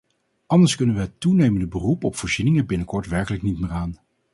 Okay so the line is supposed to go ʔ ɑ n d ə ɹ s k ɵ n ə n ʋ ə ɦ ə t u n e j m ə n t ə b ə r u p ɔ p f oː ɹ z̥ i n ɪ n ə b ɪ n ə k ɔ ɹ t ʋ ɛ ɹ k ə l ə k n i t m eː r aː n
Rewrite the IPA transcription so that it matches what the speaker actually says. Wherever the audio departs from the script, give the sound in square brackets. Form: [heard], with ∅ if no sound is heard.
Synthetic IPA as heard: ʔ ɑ n d ə ɹ s k ɵ n ə n ʋ ə ɦ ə t u n e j m ə n [d] ə b ə r u p ɔ p f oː ɹ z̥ i n ɪ [ŋ] ə b ɪ n ə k ɔ ɹ t ʋ ɛ ɹ k ə l ə k n i t m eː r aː n